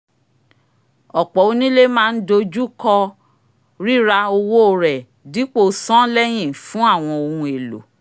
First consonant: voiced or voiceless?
voiceless